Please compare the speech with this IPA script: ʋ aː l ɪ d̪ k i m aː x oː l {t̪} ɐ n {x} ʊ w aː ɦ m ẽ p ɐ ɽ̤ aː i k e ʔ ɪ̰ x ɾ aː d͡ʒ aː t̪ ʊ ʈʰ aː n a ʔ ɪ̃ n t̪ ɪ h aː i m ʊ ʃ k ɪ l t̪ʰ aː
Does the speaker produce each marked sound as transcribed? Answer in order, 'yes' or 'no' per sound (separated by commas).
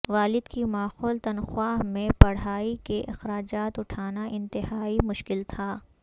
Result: yes, yes